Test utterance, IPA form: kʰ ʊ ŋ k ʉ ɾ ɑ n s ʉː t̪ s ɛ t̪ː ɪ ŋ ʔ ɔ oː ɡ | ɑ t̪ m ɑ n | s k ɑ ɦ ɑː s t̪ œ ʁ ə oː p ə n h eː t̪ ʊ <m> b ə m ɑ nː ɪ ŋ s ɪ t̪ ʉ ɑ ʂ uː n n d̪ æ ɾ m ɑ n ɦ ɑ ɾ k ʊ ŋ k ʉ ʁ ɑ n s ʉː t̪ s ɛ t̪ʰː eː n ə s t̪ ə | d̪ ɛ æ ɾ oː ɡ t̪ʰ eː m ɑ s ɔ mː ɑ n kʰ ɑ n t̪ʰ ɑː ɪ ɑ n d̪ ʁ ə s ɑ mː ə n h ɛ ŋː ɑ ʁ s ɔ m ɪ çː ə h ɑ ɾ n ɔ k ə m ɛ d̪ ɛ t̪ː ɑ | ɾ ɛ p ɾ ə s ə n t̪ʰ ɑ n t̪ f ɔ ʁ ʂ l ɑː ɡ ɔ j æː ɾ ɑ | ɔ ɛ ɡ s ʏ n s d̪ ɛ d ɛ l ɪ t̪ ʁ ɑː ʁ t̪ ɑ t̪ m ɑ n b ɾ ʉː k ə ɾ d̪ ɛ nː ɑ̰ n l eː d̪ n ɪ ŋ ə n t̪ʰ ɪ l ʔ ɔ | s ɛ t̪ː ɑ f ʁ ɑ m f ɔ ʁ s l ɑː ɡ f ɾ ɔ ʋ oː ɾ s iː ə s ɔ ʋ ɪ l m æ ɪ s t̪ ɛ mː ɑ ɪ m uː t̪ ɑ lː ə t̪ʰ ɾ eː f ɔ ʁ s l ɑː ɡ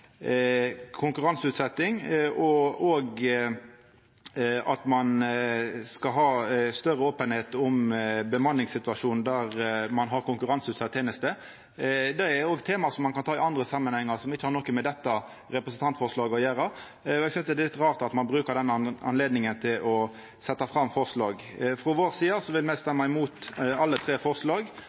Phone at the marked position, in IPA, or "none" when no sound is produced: m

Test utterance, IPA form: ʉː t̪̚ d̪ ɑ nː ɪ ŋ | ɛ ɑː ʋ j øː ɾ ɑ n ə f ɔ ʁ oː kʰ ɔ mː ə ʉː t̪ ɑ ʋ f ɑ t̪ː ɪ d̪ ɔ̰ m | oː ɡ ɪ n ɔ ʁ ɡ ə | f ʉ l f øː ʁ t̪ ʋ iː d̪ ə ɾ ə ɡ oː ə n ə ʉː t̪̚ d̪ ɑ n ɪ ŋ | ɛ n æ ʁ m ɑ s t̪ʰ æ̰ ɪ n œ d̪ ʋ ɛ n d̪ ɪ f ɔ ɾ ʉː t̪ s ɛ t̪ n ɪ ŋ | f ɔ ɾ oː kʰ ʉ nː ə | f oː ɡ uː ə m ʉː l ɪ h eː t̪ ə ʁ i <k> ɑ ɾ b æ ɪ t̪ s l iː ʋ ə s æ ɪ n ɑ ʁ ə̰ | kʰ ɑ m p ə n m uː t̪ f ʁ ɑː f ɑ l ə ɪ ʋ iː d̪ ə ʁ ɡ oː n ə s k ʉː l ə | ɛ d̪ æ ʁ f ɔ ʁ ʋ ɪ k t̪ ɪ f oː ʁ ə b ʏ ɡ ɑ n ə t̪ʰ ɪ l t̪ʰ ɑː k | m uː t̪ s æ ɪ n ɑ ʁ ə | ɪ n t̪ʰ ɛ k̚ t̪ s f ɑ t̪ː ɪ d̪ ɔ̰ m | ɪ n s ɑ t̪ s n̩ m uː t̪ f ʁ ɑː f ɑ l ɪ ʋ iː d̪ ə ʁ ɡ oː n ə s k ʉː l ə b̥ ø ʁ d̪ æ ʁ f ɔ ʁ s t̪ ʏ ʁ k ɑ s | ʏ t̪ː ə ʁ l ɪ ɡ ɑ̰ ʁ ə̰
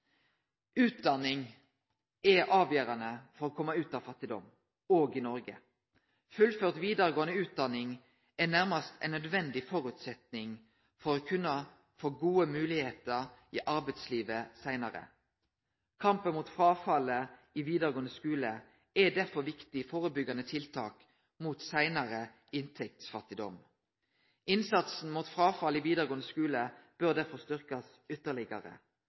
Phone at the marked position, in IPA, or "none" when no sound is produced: ʔ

